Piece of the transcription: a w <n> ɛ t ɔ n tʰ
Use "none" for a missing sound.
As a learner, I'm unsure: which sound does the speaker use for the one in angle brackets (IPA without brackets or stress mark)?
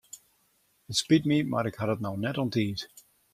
n